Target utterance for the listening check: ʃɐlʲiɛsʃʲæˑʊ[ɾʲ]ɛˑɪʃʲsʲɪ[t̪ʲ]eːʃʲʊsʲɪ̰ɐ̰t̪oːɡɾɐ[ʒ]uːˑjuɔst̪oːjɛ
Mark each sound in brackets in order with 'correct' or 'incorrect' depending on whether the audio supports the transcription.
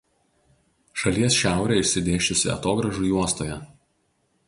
correct, incorrect: d̪ʲ, correct

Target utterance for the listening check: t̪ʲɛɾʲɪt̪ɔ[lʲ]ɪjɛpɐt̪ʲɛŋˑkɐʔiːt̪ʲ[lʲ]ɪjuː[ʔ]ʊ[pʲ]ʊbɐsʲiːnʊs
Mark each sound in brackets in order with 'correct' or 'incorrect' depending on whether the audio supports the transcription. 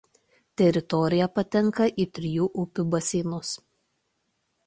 incorrect: ɾʲ, incorrect: ɾʲ, correct, correct

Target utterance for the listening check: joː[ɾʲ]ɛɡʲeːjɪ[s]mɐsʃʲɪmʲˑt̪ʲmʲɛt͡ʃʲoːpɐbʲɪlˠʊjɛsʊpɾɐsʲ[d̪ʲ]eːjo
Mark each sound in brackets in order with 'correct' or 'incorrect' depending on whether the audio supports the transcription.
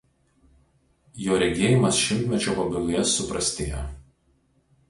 correct, incorrect: none, incorrect: t̪ʲ

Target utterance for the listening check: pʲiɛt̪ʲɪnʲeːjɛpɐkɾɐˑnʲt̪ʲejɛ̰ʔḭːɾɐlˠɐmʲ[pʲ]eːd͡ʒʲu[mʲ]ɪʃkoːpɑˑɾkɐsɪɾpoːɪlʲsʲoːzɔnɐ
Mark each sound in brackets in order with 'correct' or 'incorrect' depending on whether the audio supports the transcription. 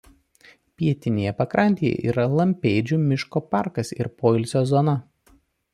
correct, correct

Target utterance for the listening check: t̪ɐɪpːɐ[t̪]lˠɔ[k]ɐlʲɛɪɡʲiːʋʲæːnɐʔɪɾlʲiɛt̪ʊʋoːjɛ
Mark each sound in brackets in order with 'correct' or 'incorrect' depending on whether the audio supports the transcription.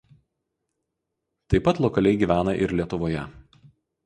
correct, correct

